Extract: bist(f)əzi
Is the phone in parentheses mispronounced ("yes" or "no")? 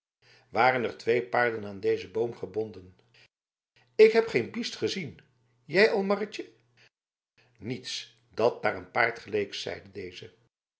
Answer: yes